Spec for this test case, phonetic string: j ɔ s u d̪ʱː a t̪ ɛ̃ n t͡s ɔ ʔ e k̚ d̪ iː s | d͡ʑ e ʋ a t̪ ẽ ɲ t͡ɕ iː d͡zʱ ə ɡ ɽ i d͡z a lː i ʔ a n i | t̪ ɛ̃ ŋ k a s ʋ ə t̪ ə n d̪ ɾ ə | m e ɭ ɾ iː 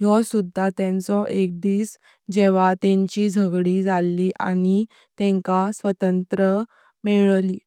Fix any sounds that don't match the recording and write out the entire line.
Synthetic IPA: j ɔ s u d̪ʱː a t̪ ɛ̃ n t͡s ɔ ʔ e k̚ d̪ iː s | d͡ʑ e ʋ a t̪ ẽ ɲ t͡ɕ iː d͡zʱ ə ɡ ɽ i d͡z a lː i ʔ a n i | t̪ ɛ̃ ŋ k a s ʋ ə t̪ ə n t̪ ɾ ə | m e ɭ l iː

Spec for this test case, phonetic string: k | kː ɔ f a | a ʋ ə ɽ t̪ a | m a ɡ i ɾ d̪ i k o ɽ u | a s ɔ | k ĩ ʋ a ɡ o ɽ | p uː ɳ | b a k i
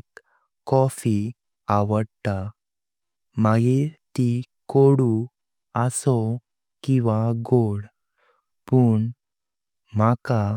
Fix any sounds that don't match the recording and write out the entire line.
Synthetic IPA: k | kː ɔ f i | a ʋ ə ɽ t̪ a | m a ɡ i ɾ t̪ i k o ɽ u | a s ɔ | k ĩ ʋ a ɡ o ɽ | p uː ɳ | m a k a

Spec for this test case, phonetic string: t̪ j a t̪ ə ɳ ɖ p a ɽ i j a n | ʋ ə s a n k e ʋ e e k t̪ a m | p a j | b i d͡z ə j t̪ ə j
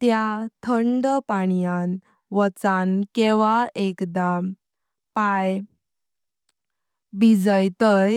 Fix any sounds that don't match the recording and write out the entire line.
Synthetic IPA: t̪ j a t̪ʰ ə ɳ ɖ p a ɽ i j a n | ʋ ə t͡s a n k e ʋ a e k d̪ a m | p a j | b i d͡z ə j t̪ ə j

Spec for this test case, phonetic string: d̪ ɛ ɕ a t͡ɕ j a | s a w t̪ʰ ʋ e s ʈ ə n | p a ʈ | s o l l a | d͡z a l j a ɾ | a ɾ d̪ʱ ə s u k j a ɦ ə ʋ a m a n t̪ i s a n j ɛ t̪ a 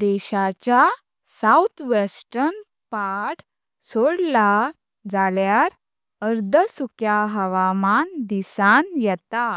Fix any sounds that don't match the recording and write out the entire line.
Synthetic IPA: d̪ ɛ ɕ a t͡ɕ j a | s a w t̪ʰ ʋ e s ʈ ə n | p a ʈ | s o ɽ l a | d͡z a l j a ɾ | ə ɾ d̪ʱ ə s u k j a ɦ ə ʋ a m a n d̪ i s a n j ɛ t̪ a

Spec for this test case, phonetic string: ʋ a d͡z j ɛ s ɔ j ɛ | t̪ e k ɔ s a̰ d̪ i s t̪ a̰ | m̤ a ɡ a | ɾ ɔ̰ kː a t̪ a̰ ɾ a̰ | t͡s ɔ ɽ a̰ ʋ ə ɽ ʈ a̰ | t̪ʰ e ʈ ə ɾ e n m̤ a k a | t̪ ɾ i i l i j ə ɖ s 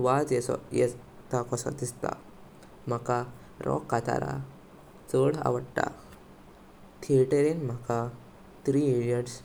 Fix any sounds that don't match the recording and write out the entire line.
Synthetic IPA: ʋ a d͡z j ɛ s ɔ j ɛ | t̪ a k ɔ s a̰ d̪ i s t̪ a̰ | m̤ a k a | ɾ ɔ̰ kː a t̪ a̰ ɾ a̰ | t͡s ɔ ɽ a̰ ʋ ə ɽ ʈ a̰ | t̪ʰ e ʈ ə ɾ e n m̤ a k a | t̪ ɾ i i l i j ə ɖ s

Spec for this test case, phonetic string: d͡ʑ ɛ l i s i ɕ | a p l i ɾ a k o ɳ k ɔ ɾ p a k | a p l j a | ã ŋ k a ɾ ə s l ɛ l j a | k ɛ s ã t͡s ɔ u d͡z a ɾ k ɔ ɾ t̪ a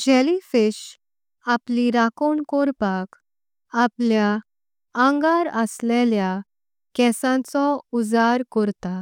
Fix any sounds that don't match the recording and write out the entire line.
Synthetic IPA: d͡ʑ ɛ l i f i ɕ | a p l i ɾ a k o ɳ k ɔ ɾ p a k | a p l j a | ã ŋ ɡ a ɾ ə s l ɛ l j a | k ɛ s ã t͡s ɔ u d͡z a ɾ k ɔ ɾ t̪ a

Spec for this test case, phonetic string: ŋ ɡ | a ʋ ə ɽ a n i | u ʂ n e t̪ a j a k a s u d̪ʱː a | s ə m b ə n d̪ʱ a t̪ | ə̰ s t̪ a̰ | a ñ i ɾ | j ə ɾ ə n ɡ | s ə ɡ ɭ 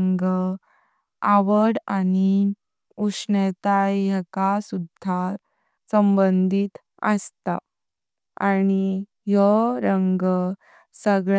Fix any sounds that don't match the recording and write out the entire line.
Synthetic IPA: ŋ ɡ | a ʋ ə ɽ a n i | u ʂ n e t̪ a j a k a s u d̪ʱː a | s ə m b ə n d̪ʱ i t̪ | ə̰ s t̪ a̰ | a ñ i | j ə ɾ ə ŋ ɡ | s ə ɡ ɭ

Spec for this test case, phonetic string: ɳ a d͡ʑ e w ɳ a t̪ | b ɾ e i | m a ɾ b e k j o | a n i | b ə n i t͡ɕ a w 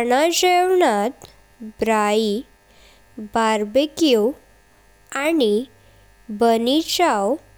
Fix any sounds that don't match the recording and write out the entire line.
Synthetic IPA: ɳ a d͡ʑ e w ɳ a t̪ | b ɾ a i | b a ɾ b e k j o | a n i | b ə n i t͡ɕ a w

